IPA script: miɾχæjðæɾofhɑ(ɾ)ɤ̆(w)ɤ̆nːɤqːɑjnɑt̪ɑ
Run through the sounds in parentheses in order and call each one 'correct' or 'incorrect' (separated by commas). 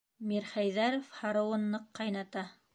correct, correct